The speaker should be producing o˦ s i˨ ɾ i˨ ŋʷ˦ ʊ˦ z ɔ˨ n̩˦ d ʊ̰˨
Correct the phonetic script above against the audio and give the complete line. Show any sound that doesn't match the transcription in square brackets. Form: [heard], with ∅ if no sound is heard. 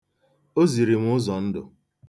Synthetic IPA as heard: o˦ [z] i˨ ɾ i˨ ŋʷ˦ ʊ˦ z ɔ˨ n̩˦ d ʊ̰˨